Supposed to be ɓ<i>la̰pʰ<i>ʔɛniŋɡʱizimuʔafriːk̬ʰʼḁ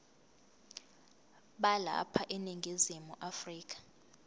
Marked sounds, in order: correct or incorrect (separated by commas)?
incorrect, incorrect